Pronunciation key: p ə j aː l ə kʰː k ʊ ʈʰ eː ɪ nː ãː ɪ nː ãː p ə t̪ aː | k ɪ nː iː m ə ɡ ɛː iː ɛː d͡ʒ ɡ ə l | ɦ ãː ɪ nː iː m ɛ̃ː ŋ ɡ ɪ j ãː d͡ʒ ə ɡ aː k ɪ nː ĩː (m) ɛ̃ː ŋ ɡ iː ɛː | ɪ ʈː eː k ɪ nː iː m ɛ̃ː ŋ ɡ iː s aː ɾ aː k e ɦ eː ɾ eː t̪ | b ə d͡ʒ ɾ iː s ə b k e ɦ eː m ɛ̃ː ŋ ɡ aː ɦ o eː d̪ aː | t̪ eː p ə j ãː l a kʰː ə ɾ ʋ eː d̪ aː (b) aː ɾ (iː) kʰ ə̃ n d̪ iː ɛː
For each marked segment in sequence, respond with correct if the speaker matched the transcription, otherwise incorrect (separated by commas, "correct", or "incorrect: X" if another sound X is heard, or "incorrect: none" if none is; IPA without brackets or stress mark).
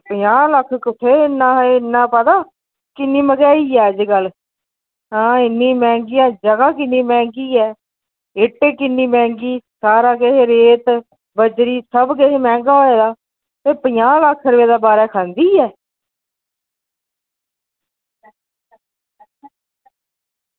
correct, correct, incorrect: ɛː